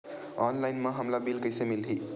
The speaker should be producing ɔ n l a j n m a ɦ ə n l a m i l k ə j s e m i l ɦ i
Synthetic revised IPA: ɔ n l a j n m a ɦ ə m l a b i l k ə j s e m i l ɦ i